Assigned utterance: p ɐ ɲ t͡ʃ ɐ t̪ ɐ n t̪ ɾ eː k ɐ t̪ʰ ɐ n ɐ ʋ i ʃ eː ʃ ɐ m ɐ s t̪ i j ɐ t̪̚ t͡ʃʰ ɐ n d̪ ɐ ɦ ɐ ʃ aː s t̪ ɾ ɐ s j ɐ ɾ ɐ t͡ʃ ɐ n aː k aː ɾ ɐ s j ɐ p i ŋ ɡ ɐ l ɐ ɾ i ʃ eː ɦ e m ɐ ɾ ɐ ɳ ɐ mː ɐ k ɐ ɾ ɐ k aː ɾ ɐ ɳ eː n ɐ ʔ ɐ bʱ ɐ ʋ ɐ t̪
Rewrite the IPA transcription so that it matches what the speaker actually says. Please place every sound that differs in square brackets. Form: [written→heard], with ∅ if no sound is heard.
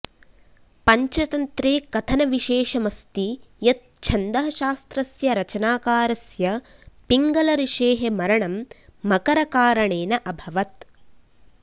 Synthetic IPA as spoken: p ɐ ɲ t͡ʃ ɐ t̪ ɐ n t̪ ɾ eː k ɐ t̪ʰ ɐ n ɐ ʋ i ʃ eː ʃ ɐ m ɐ s t̪ i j ɐ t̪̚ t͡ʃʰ ɐ n d̪ ɐ ɦ ɐ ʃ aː s t̪ ɾ ɐ s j ɐ ɾ ɐ t͡ʃ ɐ n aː k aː ɾ ɐ s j ɐ p i ŋ ɡ ɐ l ɐ ɾ i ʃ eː ɦ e m ɐ ɾ ɐ ɳ ɐ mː ɐ k ɐ ɾ ɐ k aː ɾ ɐ ɳ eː n ɐ ʔ ɐ bʱ ɐ ʋ ɐ t̪